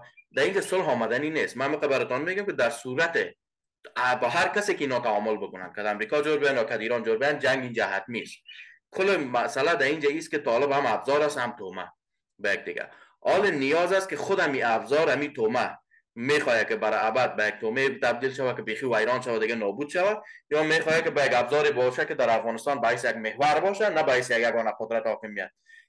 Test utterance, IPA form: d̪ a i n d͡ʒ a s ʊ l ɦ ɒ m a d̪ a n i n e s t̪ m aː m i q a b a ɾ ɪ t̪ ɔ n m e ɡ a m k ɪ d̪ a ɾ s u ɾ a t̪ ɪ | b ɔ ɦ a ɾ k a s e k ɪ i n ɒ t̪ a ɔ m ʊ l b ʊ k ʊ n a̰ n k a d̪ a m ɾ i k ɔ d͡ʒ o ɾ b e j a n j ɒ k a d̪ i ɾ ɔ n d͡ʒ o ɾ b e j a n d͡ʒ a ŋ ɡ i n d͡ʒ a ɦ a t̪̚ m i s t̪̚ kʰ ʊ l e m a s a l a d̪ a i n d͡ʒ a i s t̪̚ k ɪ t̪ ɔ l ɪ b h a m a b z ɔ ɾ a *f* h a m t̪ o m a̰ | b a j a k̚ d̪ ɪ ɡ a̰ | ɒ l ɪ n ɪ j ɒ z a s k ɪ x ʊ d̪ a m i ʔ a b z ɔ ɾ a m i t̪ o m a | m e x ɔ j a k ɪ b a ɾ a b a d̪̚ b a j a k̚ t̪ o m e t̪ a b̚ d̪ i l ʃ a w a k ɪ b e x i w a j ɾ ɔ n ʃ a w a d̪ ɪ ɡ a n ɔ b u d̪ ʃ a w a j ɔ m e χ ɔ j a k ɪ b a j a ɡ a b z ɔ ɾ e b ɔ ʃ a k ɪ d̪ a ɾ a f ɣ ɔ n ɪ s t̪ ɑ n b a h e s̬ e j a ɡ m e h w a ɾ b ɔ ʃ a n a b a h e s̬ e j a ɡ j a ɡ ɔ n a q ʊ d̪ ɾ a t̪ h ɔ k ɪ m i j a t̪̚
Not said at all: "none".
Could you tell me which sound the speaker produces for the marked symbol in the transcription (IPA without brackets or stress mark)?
s